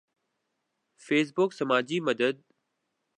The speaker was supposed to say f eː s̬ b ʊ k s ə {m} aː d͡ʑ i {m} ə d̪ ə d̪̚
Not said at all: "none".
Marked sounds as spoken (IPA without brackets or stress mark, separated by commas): m, m